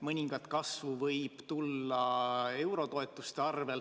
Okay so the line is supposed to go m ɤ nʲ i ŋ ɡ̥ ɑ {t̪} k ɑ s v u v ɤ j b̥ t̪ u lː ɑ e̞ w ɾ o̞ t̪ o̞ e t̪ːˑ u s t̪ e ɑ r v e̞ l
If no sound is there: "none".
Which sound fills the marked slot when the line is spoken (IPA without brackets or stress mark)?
t̪